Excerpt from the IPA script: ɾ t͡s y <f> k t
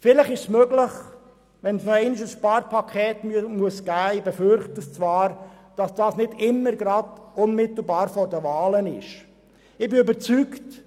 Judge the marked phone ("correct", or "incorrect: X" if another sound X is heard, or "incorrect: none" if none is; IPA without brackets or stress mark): incorrect: none